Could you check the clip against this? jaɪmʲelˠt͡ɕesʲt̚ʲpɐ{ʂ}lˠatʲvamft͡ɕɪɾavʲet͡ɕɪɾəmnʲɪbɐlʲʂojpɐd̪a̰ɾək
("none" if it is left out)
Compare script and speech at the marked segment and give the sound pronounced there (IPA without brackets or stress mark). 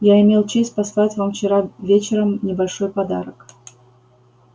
s